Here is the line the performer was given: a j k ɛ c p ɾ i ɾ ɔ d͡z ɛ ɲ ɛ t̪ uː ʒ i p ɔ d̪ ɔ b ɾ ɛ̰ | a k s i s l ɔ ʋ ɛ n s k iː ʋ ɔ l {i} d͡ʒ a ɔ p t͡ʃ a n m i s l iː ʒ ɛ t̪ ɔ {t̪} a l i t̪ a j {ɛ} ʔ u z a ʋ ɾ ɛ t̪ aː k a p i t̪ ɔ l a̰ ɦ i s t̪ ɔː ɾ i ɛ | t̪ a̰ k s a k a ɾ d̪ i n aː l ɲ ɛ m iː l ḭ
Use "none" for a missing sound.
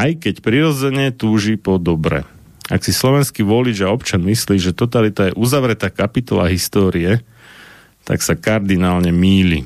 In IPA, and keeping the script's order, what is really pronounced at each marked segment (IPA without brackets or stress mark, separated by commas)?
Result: i, t̪, ɛ